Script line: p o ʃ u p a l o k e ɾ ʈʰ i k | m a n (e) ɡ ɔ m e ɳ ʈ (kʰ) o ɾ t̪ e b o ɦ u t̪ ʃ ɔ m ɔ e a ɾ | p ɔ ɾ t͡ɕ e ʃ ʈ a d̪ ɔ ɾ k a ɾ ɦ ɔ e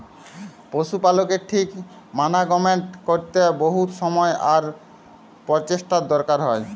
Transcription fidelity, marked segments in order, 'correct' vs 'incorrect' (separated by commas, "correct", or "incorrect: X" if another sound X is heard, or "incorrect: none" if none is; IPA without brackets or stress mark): incorrect: a, incorrect: k